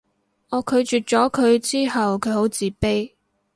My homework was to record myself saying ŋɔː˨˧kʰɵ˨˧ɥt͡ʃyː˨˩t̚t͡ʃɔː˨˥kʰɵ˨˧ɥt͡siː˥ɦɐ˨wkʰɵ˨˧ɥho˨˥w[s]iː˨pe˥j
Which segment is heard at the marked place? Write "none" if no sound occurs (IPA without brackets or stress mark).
t͡s